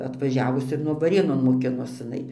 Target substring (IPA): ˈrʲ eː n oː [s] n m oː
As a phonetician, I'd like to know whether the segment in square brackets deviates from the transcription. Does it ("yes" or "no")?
yes